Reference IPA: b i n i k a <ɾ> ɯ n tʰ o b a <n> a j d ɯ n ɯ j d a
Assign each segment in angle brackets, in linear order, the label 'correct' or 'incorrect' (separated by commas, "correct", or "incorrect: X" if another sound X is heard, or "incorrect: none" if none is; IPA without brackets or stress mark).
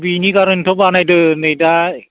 correct, correct